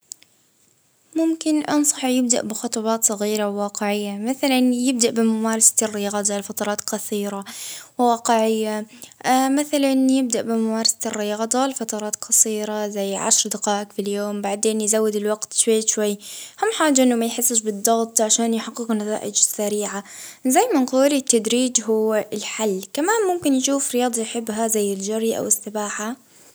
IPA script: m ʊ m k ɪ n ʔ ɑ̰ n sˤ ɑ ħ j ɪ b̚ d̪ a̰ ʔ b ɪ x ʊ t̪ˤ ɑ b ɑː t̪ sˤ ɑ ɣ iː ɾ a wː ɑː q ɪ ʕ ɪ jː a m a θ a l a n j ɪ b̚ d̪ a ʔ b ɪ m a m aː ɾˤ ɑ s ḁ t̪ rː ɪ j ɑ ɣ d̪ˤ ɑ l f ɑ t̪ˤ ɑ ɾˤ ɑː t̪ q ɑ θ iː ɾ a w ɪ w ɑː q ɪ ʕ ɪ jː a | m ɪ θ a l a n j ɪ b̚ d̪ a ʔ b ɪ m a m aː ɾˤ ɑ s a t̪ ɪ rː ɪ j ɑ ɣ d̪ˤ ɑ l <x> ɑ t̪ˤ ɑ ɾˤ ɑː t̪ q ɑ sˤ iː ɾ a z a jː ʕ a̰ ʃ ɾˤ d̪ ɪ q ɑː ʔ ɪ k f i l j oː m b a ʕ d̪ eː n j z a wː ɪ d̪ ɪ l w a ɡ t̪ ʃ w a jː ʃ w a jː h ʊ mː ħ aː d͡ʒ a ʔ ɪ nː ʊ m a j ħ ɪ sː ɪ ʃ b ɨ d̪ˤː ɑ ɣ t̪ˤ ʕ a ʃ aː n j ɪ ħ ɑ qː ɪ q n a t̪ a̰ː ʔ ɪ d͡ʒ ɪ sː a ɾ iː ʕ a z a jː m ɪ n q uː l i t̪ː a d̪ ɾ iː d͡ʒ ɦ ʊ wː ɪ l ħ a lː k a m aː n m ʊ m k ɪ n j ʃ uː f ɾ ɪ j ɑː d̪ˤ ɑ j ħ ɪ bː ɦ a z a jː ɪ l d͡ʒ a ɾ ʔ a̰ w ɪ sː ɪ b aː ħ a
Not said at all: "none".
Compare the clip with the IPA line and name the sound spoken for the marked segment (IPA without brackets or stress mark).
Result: f